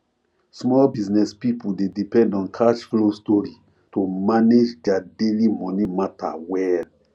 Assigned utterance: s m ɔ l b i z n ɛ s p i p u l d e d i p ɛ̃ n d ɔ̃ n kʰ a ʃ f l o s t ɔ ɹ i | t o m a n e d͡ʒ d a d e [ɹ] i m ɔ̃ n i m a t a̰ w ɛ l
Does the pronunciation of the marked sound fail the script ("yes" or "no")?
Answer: yes